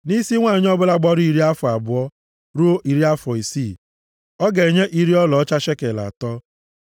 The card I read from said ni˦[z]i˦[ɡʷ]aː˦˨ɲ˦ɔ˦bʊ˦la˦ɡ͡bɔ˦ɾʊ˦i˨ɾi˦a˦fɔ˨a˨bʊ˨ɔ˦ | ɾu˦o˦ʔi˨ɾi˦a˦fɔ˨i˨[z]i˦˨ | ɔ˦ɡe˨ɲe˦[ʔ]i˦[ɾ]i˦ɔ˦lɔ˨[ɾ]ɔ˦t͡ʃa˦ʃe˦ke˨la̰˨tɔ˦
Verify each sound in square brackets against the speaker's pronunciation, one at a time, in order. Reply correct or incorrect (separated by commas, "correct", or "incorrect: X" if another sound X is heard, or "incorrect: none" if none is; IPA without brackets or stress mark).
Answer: incorrect: s, incorrect: ŋʷ, incorrect: s, correct, correct, incorrect: none